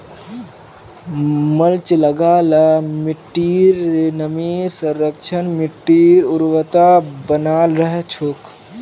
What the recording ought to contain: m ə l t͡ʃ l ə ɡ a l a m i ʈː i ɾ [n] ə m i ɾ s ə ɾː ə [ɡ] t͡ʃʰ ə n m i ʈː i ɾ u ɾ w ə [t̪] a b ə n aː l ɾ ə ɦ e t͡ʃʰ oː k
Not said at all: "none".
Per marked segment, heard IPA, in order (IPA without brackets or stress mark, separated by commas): n, k, t̪